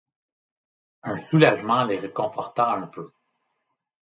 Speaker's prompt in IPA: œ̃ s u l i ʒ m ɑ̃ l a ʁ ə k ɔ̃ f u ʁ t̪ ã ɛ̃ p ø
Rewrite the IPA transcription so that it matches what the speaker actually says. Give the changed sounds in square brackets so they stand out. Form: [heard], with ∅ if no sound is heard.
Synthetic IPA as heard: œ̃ s u l [a] ʒ m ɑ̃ l [e] ʁ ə k ɔ̃ f [ɔ] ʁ t̪ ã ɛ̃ p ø